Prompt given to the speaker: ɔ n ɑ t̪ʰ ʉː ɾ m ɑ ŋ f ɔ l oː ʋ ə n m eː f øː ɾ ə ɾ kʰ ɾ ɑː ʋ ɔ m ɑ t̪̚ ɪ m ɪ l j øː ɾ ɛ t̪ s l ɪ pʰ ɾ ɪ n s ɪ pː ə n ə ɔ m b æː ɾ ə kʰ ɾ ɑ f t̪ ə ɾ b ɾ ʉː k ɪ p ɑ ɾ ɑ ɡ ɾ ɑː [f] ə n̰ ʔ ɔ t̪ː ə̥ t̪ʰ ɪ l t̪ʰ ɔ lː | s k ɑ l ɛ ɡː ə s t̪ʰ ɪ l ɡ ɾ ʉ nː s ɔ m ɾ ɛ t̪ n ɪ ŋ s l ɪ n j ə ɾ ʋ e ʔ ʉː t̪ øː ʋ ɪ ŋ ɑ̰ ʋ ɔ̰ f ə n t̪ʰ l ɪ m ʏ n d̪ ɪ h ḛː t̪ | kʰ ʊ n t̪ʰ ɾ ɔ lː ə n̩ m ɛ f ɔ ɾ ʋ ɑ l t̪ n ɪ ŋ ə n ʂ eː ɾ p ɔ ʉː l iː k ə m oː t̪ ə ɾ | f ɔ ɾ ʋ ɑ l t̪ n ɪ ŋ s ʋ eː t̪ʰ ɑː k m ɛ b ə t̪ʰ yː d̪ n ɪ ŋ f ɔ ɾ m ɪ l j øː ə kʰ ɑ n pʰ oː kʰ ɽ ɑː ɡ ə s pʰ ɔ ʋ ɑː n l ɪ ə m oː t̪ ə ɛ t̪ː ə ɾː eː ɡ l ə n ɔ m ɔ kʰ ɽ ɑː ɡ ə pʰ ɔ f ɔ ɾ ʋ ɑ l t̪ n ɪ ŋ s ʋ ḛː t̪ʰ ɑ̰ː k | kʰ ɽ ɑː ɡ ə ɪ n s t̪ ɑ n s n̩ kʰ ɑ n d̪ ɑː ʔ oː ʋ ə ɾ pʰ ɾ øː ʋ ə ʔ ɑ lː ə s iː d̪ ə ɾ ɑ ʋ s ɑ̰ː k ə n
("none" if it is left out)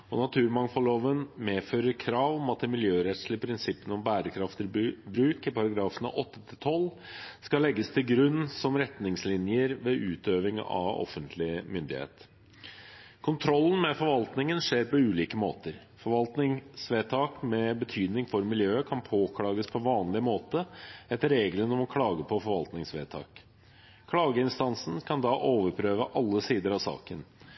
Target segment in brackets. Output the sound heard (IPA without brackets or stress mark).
f